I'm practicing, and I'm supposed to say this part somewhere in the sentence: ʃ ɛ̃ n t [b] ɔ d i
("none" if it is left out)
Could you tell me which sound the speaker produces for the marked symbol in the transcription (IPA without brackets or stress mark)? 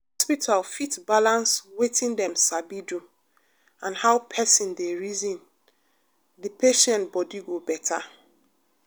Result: b